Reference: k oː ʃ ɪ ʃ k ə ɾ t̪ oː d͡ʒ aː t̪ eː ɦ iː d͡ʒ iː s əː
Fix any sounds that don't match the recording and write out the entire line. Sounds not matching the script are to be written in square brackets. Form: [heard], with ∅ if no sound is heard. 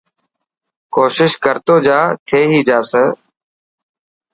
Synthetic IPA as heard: k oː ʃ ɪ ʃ k ə ɾ t̪ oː d͡ʒ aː [t̪ʰ] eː ɦ iː d͡ʒ [aː] s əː